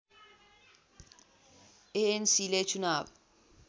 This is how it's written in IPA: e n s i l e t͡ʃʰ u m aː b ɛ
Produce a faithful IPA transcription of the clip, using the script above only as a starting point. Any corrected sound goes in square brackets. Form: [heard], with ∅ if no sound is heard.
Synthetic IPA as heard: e n s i l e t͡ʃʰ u [n] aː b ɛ